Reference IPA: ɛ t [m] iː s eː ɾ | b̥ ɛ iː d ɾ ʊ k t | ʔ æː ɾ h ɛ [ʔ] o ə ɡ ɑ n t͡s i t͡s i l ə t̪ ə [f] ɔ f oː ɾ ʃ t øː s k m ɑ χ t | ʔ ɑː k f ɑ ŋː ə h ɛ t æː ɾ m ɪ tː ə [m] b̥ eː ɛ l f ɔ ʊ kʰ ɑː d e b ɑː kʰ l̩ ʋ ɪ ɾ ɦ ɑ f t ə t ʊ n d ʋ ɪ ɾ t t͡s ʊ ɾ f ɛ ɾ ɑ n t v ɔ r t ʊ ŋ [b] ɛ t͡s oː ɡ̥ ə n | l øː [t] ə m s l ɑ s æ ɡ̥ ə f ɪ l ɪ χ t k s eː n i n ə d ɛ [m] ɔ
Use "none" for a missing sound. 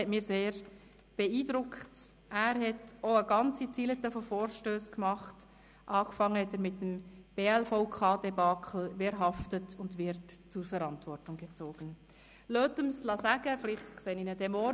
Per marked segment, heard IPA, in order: m, t, f, m, ɡ, t, m

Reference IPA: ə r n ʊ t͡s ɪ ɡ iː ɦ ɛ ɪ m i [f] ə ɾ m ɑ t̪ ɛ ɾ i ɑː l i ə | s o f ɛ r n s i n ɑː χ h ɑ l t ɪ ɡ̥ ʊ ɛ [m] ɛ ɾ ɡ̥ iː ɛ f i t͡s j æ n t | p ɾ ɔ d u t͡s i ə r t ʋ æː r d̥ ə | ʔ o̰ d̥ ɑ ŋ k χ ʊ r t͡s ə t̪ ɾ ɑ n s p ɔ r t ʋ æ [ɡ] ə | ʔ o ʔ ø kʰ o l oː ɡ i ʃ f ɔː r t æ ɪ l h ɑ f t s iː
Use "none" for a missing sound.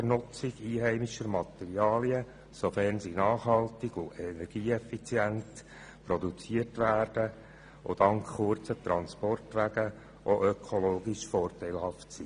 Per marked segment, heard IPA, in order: ʃ, n, ɡ

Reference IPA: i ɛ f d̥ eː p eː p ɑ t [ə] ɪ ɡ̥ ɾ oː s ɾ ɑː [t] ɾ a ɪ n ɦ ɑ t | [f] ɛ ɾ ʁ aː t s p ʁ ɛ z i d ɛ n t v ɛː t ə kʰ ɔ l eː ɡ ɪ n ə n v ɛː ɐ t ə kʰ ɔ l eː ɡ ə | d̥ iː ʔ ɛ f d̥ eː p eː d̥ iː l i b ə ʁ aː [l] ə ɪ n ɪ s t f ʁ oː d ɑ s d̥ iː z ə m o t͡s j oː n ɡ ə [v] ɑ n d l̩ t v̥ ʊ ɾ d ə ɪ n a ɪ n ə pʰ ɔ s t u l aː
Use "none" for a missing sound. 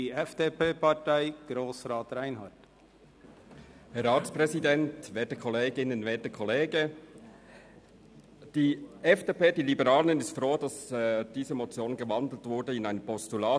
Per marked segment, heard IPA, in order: a, t, h, l, v

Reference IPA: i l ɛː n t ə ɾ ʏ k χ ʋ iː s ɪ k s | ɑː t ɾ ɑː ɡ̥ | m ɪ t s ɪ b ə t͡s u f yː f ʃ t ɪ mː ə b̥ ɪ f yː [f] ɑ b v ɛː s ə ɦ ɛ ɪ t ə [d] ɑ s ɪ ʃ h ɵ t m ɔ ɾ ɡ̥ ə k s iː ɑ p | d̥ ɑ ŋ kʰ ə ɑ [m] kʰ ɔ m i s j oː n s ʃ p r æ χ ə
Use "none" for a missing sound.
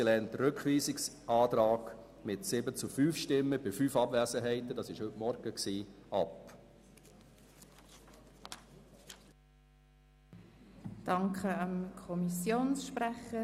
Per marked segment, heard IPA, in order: f, d, m

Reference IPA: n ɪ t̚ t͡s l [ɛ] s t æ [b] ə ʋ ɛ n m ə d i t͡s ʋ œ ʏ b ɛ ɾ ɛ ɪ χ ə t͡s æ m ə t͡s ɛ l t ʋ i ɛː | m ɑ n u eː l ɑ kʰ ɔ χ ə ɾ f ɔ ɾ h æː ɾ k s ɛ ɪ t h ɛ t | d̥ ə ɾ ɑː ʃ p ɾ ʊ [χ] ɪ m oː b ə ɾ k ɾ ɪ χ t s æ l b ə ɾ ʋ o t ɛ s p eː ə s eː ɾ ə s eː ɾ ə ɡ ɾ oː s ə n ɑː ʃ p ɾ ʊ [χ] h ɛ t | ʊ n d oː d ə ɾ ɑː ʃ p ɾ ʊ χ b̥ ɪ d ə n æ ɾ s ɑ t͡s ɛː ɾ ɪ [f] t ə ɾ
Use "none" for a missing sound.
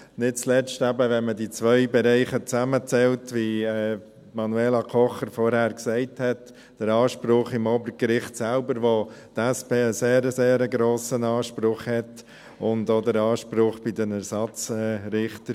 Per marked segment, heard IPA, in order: ɛ, b, χ, χ, χ

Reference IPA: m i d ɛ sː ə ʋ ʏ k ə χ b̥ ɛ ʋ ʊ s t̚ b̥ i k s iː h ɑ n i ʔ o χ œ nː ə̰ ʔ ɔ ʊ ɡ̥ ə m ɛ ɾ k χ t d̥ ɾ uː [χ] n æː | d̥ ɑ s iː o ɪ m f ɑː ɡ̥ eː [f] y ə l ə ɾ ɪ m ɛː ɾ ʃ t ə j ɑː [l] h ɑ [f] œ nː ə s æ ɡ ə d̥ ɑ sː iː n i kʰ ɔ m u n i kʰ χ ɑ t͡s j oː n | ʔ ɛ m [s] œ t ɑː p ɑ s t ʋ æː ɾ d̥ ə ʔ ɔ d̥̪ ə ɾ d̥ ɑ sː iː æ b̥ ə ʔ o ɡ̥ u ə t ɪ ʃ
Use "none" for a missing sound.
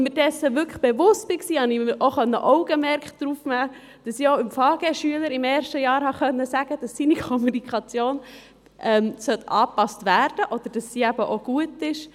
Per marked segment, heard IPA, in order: f, ʃ, ɾ, χ, s

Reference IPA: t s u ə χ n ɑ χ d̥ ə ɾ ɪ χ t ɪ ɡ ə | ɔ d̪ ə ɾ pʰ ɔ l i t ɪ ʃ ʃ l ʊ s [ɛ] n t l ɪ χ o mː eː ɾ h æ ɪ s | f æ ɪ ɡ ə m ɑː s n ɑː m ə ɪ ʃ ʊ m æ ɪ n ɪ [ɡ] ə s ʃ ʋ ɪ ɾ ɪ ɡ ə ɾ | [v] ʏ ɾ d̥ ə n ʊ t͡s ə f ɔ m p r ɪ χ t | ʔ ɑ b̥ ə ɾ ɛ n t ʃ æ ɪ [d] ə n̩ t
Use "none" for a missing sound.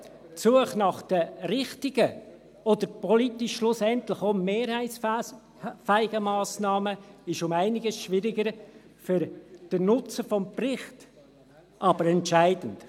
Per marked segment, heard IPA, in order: ɛ, ɡ, f, d

